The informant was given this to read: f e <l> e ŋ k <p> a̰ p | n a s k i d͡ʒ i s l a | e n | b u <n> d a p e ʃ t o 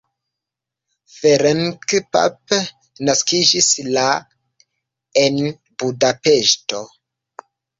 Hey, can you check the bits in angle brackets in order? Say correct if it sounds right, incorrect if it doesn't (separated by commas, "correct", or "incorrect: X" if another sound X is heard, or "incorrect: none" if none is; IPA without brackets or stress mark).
incorrect: ɾ, correct, incorrect: none